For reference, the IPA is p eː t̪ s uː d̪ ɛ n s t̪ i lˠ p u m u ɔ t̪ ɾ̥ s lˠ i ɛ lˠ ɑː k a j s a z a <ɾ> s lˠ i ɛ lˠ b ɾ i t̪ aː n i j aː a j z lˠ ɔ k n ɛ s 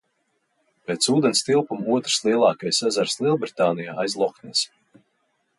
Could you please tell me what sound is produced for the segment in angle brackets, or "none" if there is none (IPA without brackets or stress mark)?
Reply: ɾ